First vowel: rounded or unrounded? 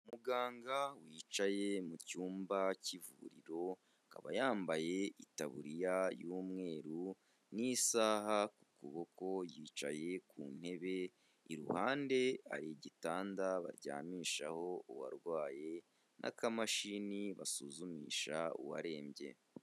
rounded